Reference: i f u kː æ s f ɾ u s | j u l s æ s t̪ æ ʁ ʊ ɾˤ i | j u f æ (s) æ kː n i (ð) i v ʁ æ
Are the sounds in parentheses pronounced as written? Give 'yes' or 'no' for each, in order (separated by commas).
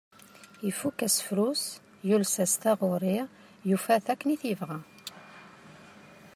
no, no